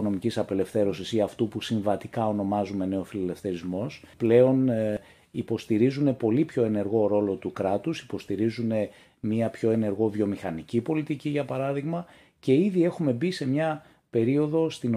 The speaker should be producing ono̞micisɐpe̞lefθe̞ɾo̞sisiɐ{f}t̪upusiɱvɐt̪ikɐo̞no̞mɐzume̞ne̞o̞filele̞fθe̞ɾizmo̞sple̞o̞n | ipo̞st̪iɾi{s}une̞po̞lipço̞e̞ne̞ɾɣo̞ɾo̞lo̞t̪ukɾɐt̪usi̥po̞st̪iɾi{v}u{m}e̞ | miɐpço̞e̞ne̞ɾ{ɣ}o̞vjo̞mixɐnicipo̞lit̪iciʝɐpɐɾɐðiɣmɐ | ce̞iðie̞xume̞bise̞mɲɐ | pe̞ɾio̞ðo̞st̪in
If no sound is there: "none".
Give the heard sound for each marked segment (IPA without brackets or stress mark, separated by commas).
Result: f, z, z, n, ɣ